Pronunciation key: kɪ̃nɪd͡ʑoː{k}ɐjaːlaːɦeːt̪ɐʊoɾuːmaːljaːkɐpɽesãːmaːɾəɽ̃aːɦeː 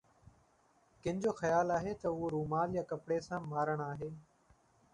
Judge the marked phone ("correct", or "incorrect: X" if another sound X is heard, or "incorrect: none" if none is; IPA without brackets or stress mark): incorrect: x